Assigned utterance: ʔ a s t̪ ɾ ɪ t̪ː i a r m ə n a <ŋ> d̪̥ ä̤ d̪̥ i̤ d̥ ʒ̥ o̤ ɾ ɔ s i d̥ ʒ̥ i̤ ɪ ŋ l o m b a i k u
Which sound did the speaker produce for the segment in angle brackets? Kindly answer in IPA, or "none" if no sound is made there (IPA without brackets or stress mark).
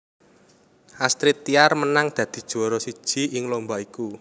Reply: ŋ